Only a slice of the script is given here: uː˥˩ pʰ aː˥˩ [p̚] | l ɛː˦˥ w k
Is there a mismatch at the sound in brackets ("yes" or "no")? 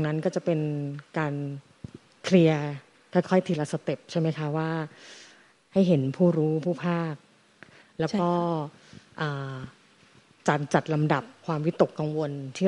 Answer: yes